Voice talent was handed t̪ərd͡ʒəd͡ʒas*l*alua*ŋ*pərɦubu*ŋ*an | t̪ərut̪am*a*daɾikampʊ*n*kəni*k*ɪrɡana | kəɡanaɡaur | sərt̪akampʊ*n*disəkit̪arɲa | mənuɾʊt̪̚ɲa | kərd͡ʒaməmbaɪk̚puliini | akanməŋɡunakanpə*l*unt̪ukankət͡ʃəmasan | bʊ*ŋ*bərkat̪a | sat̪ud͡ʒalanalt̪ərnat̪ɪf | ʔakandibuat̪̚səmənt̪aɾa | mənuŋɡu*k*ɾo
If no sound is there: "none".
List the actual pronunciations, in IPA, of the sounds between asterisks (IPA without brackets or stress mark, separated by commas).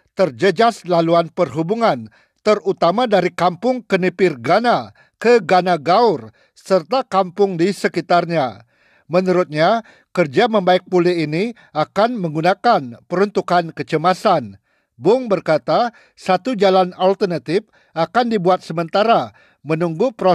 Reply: l, n, ŋ, a, ŋ, p, ŋ, ɾ, ŋ, p